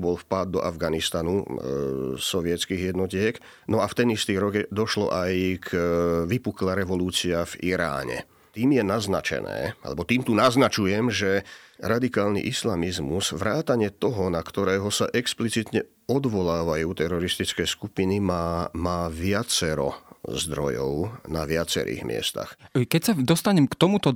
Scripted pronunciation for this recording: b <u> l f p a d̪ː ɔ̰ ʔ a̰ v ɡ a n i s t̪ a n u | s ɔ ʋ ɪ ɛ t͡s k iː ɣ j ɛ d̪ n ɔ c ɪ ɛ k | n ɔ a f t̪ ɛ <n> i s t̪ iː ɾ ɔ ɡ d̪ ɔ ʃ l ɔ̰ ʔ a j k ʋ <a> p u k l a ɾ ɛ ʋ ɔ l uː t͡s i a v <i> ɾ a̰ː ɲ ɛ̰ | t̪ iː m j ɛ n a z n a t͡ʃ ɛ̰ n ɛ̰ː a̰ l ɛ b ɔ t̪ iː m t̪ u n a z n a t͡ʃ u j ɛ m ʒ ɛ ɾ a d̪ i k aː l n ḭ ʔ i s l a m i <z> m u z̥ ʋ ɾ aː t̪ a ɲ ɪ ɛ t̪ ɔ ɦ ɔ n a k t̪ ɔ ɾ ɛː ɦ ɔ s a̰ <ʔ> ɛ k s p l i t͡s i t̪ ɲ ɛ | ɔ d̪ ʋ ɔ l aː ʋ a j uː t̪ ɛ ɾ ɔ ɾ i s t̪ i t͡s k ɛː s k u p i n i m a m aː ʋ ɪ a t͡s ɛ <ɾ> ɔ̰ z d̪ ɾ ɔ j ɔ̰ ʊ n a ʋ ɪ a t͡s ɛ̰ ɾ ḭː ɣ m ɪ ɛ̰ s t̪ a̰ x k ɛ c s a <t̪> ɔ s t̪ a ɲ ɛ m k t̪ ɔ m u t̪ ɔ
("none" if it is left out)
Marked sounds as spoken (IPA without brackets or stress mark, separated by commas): ɔ, n, i, i, z, ʔ, ɾ, d̪